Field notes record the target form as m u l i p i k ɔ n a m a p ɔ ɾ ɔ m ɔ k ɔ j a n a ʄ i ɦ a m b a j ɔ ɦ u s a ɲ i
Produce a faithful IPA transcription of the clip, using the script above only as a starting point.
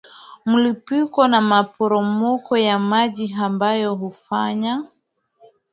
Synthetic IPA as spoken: m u l i p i k ɔ n a m a p ɔ ɾ ɔ m ɔ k ɔ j a m a ʄ i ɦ a m b a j ɔ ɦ u f a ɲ a